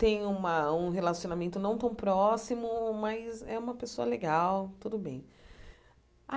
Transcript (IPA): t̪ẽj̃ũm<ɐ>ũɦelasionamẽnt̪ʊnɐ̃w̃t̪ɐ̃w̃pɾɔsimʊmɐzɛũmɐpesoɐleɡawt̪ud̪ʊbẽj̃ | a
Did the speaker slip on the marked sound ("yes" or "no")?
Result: no